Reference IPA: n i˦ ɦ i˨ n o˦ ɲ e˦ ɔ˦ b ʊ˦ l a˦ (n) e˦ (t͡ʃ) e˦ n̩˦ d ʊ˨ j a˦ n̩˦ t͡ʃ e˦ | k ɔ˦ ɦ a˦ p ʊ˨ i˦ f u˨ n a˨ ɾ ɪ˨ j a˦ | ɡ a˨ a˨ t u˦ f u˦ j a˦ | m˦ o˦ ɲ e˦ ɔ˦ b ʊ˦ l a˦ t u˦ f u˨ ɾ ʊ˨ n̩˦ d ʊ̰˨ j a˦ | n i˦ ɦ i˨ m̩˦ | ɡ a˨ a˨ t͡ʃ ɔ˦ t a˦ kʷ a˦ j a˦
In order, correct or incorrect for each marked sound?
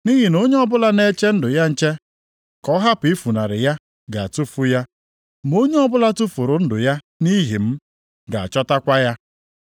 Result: correct, correct

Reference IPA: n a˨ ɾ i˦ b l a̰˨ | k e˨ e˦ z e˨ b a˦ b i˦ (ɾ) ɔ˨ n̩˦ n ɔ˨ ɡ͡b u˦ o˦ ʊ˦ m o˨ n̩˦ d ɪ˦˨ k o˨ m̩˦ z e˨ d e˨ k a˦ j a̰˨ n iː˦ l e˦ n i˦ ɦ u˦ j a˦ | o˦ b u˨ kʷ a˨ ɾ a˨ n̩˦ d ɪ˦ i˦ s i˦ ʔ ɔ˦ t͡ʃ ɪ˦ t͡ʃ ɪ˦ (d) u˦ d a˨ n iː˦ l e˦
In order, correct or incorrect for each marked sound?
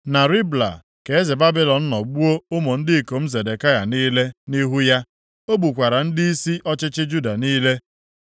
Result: incorrect, incorrect

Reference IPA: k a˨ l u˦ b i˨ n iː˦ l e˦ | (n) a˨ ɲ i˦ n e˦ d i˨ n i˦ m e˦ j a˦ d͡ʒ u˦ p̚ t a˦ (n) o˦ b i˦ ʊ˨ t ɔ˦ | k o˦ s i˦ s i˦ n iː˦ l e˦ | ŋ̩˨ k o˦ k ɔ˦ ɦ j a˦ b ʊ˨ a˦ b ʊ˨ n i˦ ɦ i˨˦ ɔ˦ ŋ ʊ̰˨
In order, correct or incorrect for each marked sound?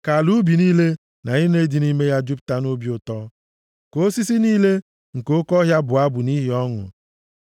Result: correct, correct

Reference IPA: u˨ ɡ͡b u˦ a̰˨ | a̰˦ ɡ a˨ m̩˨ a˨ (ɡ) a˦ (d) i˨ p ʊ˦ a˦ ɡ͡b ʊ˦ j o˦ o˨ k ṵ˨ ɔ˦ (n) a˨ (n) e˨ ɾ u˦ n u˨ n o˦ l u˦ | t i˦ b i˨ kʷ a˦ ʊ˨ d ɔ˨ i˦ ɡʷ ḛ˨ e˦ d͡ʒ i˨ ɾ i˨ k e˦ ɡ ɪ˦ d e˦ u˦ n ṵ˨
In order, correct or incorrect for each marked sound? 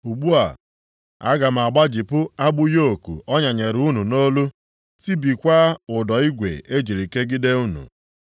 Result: incorrect, incorrect, incorrect, incorrect

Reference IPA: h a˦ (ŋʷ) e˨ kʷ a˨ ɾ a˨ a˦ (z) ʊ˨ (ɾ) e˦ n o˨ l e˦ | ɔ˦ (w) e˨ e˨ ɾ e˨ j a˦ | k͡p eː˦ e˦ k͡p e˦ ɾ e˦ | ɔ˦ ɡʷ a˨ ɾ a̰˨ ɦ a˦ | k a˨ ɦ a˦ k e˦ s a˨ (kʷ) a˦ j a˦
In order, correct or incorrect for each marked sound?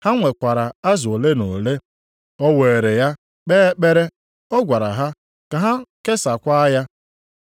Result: correct, correct, incorrect, correct, correct

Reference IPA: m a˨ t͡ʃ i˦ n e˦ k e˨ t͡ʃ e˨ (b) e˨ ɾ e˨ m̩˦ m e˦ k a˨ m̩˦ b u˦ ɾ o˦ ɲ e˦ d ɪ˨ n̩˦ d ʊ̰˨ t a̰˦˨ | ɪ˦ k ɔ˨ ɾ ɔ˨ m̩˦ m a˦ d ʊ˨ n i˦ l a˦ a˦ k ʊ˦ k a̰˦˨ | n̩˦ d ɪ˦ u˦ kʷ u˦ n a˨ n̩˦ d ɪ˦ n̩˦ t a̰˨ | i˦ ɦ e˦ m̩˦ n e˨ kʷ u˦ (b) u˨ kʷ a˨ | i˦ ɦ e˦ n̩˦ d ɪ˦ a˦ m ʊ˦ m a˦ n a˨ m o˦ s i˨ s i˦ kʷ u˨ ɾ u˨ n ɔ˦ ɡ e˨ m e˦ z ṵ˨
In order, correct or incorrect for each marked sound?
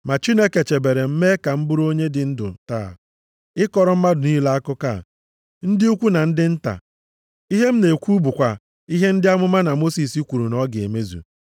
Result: correct, correct

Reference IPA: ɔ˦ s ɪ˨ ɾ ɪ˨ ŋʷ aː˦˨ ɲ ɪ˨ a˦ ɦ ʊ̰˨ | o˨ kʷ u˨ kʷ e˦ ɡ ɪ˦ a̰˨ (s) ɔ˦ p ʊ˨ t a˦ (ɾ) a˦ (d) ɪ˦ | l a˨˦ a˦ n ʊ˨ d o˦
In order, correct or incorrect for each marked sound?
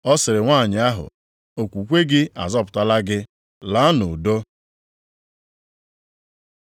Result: incorrect, incorrect, incorrect

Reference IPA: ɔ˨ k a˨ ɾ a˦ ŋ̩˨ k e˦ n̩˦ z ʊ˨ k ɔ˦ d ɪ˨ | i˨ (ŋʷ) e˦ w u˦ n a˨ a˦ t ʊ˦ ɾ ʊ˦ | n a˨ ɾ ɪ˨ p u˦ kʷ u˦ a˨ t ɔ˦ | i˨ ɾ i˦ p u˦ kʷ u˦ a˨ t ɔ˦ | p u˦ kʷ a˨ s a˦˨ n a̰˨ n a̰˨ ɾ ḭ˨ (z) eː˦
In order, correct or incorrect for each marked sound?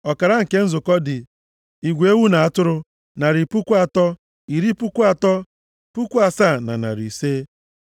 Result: incorrect, incorrect

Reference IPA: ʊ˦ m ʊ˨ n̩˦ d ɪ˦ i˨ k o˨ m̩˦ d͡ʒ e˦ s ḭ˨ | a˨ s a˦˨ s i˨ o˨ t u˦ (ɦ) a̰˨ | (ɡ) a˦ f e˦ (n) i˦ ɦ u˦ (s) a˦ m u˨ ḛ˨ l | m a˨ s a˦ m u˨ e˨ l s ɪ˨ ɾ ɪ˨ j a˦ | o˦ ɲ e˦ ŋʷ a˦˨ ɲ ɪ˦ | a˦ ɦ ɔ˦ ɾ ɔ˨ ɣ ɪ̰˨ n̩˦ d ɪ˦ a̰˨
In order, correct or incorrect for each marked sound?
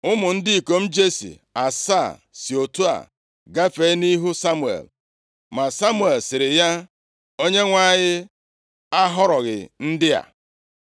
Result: incorrect, correct, correct, correct

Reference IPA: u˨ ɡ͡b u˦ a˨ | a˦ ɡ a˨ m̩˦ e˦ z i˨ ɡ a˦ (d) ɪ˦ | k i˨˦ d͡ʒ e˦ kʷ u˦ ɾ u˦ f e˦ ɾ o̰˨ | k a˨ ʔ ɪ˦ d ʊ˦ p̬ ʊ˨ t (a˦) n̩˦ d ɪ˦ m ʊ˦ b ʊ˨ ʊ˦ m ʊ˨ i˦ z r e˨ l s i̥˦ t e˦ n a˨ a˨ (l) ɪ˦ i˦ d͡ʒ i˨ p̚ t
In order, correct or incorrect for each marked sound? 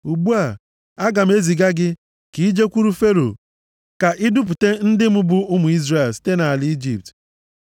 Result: incorrect, incorrect, correct

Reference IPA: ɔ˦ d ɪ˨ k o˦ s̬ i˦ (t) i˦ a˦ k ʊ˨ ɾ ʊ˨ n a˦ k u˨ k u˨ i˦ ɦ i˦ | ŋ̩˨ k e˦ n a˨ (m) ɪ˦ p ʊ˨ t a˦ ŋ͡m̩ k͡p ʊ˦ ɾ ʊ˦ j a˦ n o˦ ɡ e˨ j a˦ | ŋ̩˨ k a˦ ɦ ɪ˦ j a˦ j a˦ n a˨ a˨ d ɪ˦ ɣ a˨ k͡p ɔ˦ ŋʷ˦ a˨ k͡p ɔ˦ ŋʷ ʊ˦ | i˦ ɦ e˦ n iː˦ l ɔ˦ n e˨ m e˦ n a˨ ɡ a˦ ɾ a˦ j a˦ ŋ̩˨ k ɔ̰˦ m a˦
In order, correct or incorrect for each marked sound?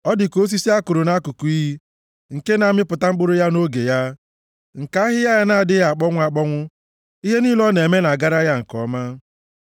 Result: incorrect, correct

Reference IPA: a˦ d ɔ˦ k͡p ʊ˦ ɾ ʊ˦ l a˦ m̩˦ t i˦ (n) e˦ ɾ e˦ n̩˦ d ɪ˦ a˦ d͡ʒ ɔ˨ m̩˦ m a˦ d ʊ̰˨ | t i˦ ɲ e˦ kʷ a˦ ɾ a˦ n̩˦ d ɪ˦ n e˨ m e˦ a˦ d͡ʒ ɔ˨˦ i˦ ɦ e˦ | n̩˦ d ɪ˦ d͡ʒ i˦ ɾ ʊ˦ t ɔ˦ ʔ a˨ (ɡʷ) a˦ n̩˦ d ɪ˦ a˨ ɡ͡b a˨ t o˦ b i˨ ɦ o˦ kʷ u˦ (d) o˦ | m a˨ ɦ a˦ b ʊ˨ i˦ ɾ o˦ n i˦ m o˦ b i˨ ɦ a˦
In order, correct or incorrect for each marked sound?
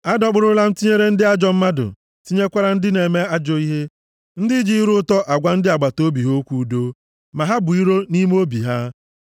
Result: incorrect, correct, correct

